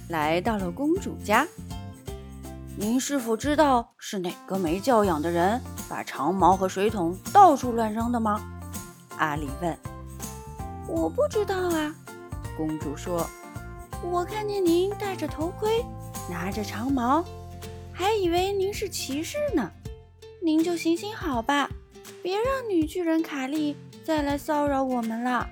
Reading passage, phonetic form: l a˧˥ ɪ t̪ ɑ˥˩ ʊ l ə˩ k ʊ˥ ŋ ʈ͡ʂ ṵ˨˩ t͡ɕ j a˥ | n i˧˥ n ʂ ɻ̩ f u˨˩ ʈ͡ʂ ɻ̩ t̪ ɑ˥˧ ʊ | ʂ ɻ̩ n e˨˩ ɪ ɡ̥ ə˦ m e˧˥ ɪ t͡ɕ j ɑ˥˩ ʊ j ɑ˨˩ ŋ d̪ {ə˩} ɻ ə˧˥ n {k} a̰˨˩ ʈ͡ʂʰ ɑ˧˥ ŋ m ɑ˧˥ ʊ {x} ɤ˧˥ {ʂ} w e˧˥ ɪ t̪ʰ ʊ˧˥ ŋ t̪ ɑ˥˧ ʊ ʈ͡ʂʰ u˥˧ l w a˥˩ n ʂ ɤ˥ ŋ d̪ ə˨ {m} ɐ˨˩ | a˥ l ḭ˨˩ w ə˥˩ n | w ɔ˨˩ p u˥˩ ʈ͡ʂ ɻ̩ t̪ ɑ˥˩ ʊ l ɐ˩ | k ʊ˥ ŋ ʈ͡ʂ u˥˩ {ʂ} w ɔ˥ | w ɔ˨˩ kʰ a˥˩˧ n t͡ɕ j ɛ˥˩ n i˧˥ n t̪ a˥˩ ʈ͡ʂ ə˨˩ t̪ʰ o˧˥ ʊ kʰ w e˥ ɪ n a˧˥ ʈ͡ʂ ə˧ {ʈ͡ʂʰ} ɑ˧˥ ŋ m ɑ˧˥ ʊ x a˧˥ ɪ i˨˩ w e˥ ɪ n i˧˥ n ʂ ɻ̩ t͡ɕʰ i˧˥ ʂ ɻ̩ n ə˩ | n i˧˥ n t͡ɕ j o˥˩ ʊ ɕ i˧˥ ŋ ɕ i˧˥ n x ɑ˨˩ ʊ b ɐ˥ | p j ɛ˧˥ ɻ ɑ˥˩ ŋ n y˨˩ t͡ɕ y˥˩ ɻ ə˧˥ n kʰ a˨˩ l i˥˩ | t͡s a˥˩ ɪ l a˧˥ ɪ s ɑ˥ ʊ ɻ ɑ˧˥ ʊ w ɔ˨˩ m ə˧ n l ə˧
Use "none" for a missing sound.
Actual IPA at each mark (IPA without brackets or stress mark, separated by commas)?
ə˦, p, x, ʂ, m, ʂ, ʈ͡ʂʰ